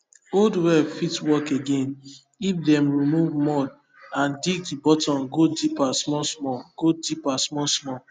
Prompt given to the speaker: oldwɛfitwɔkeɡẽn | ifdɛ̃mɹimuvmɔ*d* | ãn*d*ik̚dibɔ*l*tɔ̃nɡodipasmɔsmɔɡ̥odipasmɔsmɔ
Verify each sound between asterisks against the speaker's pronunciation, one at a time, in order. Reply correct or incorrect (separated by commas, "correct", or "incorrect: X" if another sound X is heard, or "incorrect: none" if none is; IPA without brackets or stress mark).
correct, correct, incorrect: none